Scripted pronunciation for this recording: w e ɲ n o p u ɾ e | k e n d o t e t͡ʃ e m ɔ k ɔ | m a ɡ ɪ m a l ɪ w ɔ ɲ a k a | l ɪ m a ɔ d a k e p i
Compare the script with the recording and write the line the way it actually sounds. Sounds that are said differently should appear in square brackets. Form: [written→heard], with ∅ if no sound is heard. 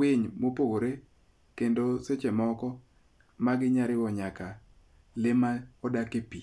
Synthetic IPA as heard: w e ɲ [n→m] o p [u→o] ɾ e | k e n d o [t→s] e t͡ʃ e m ɔ k ɔ | m a ɡ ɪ [m→ɲ] a [l→ɾ] ɪ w ɔ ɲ a k a | l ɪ m a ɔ d a k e p i